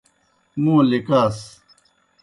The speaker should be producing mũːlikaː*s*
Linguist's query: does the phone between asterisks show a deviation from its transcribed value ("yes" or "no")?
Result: no